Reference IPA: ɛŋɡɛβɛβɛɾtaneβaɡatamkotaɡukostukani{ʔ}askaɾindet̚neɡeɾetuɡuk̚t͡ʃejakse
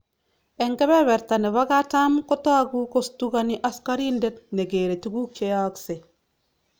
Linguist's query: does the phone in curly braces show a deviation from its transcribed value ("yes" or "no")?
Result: no